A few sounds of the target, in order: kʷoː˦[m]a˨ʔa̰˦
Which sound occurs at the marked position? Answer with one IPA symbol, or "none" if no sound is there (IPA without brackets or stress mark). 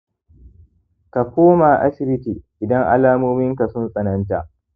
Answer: m